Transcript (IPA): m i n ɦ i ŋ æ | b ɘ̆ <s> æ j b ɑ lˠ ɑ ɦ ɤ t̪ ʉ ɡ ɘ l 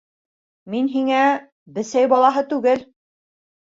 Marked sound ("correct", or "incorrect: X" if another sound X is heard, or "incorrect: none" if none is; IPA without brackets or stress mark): correct